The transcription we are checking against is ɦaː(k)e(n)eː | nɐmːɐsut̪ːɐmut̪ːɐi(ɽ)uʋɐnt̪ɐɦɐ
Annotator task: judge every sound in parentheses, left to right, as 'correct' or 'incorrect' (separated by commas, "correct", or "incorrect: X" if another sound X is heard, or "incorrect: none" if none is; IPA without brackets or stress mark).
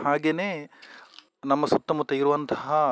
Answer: incorrect: ɡ, correct, incorrect: ɾ